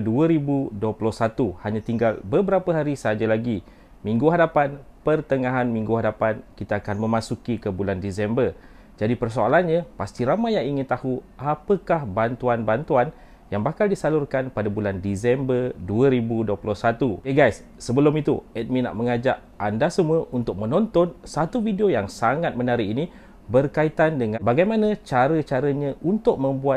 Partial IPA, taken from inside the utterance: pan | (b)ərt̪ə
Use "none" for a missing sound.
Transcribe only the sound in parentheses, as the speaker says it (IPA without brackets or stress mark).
p